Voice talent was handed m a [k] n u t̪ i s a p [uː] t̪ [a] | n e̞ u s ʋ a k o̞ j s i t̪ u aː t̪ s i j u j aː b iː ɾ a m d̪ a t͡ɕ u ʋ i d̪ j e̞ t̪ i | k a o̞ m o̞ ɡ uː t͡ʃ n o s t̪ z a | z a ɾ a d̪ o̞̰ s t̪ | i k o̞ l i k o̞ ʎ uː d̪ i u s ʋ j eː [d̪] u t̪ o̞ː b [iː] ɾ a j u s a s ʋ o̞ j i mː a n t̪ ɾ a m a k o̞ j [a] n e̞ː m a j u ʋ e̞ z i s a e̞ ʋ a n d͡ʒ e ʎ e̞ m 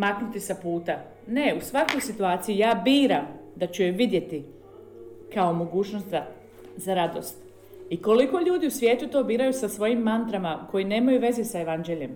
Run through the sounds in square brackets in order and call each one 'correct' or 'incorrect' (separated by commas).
correct, correct, correct, incorrect, correct, incorrect